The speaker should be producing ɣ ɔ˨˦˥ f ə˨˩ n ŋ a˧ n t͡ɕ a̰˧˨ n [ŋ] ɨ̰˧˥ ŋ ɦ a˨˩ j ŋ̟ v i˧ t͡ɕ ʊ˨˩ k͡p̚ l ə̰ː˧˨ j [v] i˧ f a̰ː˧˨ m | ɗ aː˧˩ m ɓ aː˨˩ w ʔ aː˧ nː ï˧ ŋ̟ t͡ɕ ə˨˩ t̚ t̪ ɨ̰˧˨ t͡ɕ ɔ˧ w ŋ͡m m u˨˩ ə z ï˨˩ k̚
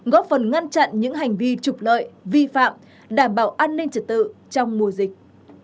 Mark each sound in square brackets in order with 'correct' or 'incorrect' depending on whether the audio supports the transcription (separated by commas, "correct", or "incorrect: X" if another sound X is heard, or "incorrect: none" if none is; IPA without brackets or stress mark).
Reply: incorrect: ɲ, correct